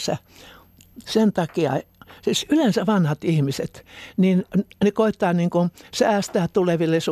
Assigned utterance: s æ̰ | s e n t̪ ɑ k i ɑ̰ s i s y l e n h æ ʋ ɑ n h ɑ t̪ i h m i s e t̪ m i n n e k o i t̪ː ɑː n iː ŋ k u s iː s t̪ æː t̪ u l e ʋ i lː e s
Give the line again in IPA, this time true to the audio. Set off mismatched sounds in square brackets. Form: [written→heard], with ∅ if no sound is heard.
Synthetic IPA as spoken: s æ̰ | s e n t̪ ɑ k i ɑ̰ s i s y l e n [h→s] æ ʋ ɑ n h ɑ t̪ i h m i s e t̪ [m→n] i n n e k o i t̪ː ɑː n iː ŋ k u s [iː→æː] s t̪ æː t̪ u l e ʋ i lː e s